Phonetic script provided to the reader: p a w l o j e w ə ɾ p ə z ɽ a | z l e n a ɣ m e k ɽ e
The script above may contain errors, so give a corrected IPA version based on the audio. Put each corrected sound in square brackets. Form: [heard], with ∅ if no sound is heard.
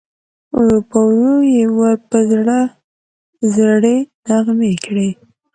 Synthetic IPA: p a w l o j e w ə ɾ p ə z ɽ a | z [ɽ] e n a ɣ m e k ɽ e